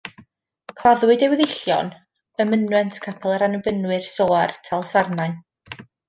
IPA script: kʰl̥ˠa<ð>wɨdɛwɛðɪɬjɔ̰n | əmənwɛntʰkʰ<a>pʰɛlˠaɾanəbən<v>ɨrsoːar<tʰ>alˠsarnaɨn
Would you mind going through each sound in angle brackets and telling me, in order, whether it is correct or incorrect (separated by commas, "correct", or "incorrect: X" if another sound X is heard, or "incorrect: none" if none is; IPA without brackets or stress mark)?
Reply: correct, correct, incorrect: w, correct